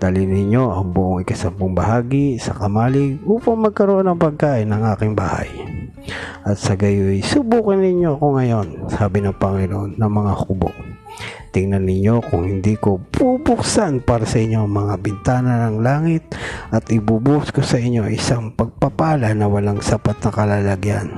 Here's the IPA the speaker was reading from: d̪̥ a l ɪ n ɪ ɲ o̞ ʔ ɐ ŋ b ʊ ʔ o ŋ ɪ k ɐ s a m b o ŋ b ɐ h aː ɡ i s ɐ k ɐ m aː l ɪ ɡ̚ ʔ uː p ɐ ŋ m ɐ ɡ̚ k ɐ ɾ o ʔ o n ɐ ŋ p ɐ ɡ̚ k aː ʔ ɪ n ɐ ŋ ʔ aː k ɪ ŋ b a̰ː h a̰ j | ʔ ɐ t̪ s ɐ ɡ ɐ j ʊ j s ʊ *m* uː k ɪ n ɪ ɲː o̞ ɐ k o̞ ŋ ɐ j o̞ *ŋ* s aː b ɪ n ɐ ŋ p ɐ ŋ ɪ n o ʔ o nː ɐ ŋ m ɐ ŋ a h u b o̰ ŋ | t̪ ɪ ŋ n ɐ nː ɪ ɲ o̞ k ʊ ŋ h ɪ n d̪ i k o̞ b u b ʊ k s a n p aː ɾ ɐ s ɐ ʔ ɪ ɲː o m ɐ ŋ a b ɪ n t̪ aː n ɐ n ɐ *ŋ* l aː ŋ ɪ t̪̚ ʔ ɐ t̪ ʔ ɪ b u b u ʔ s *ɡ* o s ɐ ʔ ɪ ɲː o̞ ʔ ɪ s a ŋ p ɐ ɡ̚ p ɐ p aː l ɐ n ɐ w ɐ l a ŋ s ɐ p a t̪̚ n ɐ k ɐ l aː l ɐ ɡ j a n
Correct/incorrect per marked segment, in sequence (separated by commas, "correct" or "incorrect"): incorrect, incorrect, correct, incorrect